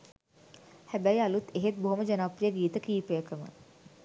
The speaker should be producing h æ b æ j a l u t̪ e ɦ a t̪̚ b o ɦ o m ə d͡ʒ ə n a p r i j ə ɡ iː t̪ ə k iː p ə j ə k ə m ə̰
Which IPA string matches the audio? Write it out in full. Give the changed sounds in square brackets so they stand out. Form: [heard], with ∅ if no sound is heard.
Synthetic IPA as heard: h æ b æ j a l u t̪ e ɦ [e] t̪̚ b o ɦ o m ə d͡ʒ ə n a p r i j ə ɡ iː t̪ ə k iː p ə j ə k ə m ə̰